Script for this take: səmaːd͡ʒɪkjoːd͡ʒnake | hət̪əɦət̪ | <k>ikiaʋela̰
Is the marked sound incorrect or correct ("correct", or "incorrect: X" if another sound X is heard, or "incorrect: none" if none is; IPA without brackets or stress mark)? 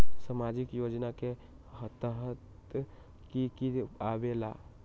correct